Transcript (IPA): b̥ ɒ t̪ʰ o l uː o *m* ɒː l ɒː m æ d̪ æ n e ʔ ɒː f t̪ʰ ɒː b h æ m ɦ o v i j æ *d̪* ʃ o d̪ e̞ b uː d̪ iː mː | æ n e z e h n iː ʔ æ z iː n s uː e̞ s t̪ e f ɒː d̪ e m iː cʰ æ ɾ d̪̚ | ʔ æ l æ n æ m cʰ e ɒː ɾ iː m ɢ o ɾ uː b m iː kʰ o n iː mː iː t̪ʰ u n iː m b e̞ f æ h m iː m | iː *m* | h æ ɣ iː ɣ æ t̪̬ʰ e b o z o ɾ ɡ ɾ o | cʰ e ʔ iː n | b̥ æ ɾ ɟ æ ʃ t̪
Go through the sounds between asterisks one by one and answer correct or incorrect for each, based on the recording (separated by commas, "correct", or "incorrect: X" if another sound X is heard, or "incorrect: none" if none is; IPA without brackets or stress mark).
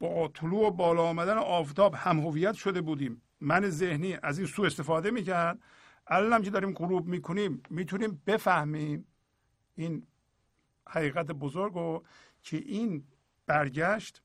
incorrect: b, incorrect: t̪, incorrect: n